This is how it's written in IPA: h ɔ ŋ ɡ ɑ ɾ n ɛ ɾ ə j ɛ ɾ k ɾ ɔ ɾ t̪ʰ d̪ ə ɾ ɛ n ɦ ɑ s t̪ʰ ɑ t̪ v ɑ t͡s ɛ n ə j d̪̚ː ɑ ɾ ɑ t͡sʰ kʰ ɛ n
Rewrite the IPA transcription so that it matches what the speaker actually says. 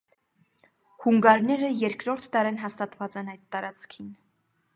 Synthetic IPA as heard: h u ŋ ɡ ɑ ɾ n ɛ ɾ ə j ɛ ɾ k ɾ ɔ ɾ t̪ʰ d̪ ɑ ɾ ɛ n ɦ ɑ s t̪ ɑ t̪ v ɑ t͡s ɛ n ɑ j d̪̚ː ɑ ɾ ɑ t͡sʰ kʰ i n